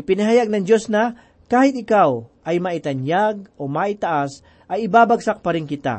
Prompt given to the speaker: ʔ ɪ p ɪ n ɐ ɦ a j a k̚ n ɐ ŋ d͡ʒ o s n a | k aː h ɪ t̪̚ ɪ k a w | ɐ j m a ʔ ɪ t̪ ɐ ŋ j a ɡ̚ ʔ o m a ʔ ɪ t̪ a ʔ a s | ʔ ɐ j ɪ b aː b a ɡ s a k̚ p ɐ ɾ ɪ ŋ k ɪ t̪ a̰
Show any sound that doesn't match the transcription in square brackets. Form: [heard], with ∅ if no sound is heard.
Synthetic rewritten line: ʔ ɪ p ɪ n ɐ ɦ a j a [ɡ̚] n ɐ ŋ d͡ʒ o s n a | k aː h ɪ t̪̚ ɪ k a w | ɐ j m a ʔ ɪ t̪ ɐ [n] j a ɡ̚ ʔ o m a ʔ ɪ t̪ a ʔ a s | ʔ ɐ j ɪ b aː b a ɡ s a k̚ p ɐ ɾ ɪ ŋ k ɪ t̪ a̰